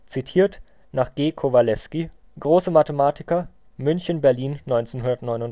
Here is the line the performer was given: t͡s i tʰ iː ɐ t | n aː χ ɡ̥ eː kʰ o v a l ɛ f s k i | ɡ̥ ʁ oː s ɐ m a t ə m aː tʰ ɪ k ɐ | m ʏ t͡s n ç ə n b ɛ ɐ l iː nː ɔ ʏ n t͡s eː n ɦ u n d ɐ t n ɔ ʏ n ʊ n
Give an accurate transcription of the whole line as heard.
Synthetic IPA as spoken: t͡s i tʰ iː ɐ t | n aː χ ɡ̥ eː kʰ o v a l ɛ f s k i | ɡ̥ ʁ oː s ə m a t ə m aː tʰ ɪ k ɐ | m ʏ n ç ə n b ɛ ɐ l iː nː ɔ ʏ n t͡s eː n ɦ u n d ɐ t n ɔ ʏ n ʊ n